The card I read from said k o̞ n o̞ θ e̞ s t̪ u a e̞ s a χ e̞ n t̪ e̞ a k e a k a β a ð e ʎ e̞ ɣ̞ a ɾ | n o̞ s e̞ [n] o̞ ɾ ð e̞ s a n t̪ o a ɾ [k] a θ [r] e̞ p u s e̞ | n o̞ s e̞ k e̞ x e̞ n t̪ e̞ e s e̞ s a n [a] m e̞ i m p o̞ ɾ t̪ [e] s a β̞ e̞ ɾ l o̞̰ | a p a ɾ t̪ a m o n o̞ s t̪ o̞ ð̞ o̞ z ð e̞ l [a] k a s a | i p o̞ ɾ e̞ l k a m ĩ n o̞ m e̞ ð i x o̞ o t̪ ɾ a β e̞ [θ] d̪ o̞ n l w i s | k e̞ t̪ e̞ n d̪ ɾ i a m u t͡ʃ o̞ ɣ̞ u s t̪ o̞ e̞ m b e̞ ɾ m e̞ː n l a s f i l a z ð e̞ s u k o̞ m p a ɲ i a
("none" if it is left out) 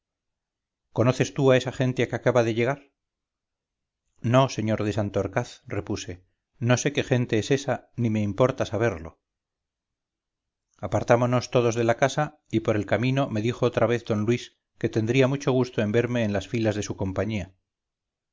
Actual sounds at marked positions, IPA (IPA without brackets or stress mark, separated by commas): ɲ, k, r, i, a, a, θ